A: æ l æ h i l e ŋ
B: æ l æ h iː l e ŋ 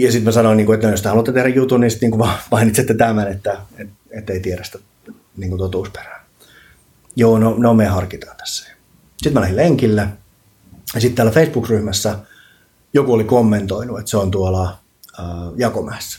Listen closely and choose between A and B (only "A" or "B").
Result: A